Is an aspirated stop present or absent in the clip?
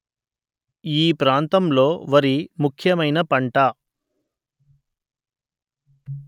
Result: present